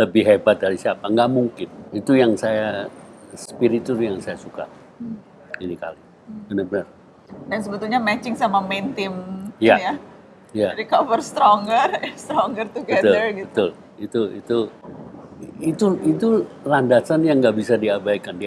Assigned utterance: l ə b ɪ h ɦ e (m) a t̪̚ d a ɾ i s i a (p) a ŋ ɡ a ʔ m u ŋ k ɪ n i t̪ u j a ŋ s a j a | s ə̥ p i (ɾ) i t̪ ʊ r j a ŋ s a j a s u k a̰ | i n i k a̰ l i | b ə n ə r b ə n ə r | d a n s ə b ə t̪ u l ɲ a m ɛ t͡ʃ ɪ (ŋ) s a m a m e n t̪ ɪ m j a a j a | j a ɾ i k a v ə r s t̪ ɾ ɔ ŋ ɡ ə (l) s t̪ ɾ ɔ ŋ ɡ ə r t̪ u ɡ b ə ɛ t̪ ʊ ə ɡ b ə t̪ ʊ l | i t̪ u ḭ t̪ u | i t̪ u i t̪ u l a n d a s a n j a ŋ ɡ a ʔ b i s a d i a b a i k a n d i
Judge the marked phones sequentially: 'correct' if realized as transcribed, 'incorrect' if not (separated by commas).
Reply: incorrect, correct, correct, correct, incorrect